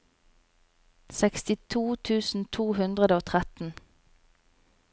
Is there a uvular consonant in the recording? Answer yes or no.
yes